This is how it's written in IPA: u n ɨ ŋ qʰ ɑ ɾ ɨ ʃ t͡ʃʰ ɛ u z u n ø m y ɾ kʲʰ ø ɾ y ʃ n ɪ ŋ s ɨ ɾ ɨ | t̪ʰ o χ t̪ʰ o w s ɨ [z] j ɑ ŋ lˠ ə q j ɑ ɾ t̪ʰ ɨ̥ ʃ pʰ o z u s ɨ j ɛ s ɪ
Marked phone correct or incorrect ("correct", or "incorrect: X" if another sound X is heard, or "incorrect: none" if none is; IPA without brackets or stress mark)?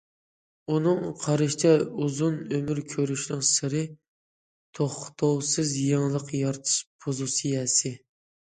correct